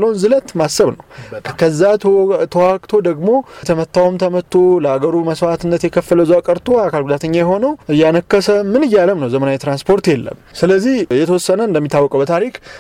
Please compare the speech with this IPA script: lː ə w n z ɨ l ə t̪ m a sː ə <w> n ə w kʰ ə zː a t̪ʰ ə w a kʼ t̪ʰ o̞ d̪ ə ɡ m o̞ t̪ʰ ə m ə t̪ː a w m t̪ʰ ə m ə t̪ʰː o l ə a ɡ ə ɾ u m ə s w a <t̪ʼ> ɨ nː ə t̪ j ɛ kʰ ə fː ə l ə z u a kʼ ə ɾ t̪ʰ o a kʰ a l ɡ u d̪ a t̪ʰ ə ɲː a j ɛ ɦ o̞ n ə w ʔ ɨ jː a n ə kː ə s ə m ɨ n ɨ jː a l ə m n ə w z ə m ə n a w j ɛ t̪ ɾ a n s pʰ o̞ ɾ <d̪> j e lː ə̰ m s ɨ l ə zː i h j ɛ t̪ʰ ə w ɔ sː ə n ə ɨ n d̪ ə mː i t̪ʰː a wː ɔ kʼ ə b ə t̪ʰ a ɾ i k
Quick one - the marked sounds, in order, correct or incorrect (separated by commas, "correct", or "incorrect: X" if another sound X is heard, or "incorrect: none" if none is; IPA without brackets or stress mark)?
incorrect: β, incorrect: t̪, incorrect: t̪